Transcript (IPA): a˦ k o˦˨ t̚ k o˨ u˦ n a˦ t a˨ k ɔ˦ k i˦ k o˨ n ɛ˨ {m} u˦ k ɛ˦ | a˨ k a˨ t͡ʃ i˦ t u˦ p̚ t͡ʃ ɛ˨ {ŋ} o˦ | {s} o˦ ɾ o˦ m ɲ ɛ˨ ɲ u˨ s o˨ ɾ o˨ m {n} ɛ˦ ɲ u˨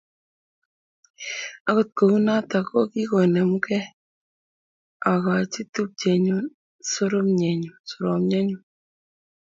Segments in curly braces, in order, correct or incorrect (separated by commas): correct, incorrect, correct, incorrect